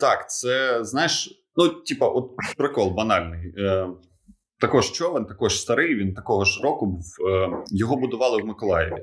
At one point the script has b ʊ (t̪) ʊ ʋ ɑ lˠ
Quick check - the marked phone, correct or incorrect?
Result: incorrect